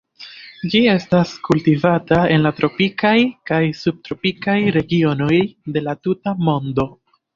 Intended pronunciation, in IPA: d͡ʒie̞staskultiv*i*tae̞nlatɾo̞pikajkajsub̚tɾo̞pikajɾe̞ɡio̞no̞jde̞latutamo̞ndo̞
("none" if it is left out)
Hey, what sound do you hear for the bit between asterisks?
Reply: a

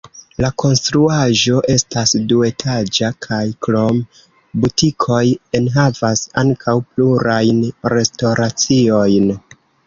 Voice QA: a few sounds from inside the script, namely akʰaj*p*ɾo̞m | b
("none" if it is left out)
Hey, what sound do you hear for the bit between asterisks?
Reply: k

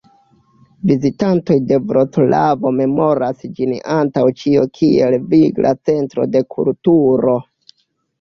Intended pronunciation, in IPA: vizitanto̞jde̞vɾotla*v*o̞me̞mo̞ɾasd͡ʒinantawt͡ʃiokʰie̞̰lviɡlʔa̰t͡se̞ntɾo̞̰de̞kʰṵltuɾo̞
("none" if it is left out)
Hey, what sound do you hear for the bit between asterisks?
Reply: v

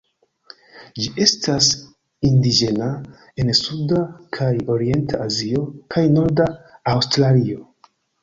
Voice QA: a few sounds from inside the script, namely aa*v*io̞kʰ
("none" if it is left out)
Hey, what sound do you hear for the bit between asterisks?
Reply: z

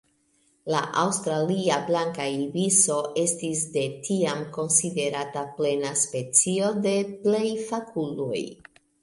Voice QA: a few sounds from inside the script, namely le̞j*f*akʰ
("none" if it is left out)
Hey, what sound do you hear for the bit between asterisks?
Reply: f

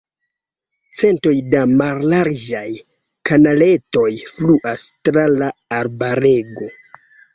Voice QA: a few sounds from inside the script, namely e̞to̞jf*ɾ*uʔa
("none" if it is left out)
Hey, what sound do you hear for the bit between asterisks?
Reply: l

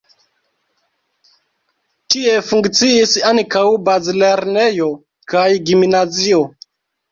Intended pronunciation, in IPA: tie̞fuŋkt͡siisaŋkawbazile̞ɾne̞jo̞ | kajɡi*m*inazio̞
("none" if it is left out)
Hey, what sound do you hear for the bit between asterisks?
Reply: m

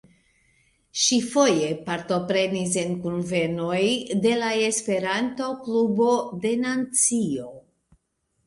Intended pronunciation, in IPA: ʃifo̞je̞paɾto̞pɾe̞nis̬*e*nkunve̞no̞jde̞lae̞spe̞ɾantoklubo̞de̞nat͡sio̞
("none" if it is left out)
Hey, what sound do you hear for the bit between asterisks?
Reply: e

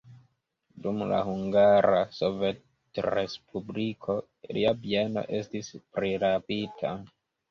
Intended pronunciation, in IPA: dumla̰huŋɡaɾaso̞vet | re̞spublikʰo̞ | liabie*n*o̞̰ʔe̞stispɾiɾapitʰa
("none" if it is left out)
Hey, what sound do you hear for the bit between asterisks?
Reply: n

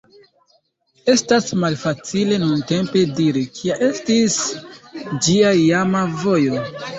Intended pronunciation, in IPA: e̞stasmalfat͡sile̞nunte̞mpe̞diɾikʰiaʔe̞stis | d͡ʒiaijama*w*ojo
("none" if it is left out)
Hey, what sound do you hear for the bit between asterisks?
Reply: v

